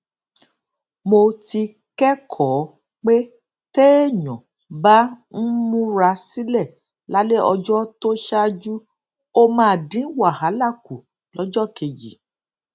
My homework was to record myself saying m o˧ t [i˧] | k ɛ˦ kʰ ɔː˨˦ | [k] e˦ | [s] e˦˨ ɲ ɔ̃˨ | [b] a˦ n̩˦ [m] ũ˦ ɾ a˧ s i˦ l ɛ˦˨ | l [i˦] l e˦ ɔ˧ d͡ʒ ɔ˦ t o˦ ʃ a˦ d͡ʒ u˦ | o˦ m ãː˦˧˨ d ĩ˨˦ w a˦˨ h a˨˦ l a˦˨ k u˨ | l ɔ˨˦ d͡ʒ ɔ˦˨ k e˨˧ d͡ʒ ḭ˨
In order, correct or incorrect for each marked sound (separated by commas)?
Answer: correct, incorrect, incorrect, correct, correct, incorrect